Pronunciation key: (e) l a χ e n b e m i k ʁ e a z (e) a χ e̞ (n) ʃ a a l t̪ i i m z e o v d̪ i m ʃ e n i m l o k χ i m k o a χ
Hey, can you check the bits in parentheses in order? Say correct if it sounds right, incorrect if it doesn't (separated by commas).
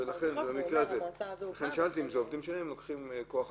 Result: correct, correct, correct